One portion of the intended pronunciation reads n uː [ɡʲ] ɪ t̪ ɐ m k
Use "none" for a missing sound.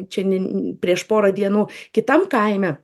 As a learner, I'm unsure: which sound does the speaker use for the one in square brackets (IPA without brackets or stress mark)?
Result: kʲ